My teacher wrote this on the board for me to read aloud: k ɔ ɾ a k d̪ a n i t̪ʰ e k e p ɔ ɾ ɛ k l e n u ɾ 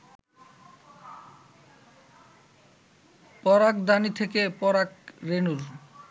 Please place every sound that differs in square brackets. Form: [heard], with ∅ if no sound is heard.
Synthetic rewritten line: [p] ɔ ɾ a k d̪ a n i t̪ʰ e k e p ɔ ɾ [a] k [ɾ] e n u ɾ